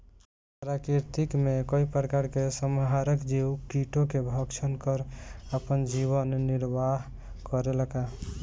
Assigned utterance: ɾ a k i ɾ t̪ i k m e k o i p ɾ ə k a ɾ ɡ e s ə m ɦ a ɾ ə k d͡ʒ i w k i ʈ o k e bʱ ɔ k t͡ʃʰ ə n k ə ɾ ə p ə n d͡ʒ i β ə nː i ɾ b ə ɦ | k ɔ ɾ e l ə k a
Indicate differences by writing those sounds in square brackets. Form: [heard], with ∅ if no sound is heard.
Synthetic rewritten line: ɾ a k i ɾ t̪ i k m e k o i p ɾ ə k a ɾ [k] e s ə m ɦ a ɾ ə k d͡ʒ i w k i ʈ o k e bʱ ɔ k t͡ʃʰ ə n k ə ɾ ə p ə n d͡ʒ i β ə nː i ɾ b [a] ɦ | k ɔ ɾ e l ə k a